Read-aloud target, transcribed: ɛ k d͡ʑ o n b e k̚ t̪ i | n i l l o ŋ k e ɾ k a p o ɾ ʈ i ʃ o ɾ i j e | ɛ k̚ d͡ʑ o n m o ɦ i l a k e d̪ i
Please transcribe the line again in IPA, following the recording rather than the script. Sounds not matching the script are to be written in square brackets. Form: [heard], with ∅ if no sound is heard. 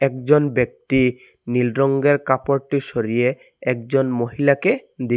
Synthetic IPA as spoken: ɛ k d͡ʑ o n b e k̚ t̪ i | n i l [ɾ] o ŋ [ɡ] e ɾ k a p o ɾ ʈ i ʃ o ɾ i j e | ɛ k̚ d͡ʑ o n m o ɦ i l a k e d̪ i